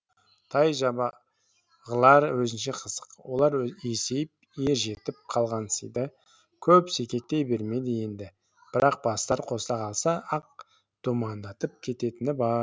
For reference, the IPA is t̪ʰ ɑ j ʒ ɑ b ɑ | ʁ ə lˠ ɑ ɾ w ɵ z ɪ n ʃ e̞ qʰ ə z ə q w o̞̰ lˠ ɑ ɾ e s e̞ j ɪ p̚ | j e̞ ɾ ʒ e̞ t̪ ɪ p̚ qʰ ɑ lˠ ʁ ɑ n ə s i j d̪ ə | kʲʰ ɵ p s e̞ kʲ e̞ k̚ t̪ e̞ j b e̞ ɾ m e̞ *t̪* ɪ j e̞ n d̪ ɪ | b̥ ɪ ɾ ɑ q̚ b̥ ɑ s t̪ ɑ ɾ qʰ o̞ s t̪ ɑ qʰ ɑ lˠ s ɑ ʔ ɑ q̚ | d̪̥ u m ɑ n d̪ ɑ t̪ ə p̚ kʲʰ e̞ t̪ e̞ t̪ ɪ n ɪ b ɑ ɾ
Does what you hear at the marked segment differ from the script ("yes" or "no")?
yes